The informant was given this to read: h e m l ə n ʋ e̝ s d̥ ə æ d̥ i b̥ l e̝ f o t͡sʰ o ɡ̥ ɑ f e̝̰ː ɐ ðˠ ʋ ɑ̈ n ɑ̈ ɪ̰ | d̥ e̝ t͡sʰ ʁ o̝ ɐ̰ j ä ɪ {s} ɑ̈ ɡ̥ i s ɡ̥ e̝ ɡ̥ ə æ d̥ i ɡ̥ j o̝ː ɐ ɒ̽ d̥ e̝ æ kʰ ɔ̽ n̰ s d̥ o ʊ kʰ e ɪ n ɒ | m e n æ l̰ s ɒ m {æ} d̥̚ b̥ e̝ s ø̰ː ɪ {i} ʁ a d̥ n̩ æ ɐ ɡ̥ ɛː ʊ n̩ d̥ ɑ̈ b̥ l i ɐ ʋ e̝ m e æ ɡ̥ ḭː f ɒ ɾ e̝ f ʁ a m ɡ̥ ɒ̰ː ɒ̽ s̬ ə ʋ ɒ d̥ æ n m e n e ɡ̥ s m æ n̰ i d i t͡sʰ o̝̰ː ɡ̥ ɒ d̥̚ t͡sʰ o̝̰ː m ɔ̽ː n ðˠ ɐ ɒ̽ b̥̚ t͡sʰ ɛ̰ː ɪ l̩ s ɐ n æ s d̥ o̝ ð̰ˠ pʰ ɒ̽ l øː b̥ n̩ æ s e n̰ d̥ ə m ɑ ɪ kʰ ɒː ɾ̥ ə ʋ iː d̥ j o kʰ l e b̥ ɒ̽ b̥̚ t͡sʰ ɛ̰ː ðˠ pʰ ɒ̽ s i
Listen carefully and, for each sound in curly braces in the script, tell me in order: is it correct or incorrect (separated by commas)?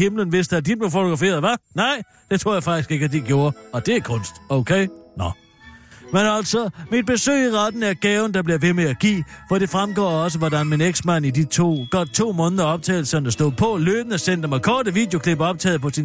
incorrect, incorrect, correct